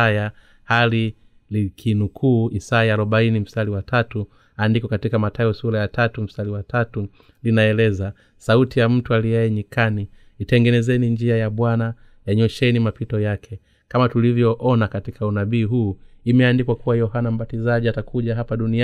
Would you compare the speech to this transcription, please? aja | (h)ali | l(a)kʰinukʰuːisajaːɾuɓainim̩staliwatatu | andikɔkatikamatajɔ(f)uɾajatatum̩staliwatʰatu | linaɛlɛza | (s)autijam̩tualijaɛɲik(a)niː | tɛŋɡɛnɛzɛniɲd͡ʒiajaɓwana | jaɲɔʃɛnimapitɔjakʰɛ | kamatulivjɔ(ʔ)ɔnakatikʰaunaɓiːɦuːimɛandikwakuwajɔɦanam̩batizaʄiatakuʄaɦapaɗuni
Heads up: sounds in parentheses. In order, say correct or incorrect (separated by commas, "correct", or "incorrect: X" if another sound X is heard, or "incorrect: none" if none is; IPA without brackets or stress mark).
correct, incorrect: i, incorrect: s, correct, correct, correct